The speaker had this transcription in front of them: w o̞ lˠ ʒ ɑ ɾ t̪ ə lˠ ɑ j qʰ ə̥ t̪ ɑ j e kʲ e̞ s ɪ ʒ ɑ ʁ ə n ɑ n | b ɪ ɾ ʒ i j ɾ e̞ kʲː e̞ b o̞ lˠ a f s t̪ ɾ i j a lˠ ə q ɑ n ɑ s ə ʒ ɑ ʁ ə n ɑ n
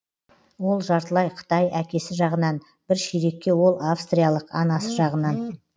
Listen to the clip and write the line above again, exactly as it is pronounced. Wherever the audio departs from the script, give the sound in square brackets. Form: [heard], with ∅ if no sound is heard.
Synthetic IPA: w o̞ lˠ ʒ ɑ ɾ t̪ ə lˠ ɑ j qʰ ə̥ t̪ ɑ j [æ] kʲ e̞ s ɪ ʒ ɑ ʁ ə n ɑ n | b ɪ ɾ [ʃ] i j ɾ e̞ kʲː e̞ [w] o̞ lˠ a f s t̪ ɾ i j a lˠ ə q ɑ n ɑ s ə ʒ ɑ ʁ ə n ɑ n